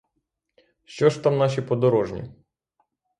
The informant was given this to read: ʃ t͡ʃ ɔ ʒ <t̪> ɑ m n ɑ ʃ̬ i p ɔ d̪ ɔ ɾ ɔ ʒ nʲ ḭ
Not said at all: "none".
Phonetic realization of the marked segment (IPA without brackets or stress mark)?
t̪